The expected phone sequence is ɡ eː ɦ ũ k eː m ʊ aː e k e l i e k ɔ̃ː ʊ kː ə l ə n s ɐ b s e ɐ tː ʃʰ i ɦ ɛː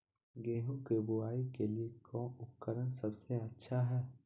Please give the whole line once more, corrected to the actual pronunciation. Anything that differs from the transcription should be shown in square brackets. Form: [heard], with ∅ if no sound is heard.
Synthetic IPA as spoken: ɡ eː ɦ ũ k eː [b] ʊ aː [i] k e l i e k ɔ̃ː ʊ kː ə [ɾ] ə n s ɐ b s e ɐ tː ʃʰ [a] ɦ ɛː